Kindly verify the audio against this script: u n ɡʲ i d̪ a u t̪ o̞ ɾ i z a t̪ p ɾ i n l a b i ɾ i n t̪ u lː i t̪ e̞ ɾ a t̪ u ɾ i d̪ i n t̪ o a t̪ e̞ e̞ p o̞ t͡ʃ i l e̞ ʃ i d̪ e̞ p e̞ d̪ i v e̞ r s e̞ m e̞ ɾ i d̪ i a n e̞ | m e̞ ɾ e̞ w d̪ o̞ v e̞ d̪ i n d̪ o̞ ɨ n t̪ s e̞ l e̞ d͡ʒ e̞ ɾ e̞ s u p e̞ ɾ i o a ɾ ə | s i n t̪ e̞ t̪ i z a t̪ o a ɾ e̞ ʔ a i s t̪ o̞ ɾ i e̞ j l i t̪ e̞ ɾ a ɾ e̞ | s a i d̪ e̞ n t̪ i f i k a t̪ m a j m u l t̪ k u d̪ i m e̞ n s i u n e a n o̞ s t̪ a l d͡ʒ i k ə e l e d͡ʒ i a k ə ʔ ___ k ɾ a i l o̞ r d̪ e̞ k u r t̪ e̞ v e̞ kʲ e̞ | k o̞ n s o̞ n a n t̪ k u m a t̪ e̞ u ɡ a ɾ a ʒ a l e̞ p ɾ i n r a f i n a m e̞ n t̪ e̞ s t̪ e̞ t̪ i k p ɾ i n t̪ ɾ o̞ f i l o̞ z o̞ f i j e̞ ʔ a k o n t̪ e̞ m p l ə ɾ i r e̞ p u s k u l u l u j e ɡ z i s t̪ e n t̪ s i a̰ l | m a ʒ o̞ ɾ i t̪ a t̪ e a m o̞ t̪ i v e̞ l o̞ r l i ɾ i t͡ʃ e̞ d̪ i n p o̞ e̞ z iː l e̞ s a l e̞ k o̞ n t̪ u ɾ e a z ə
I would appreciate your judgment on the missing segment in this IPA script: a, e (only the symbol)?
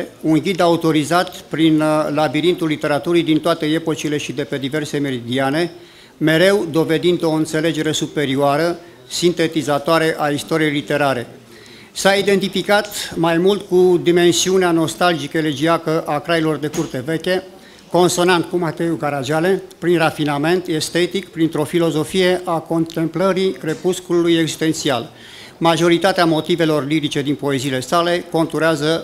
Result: a